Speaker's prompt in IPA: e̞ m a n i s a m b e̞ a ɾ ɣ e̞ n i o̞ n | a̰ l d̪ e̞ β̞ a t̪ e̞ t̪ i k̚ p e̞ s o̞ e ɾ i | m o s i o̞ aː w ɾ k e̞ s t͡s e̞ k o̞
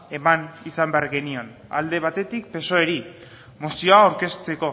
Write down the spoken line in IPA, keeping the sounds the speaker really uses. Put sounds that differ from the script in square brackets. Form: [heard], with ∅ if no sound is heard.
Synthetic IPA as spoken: e̞ m a n i s a m b e̞ a ɾ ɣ e̞ n i o̞ n | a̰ l d̪ e̞ β̞ a t̪ e̞ t̪ i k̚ p e̞ s o̞ e ɾ i | m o s i o̞ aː w ɾ k e̞ s t͡s e̞ k o̞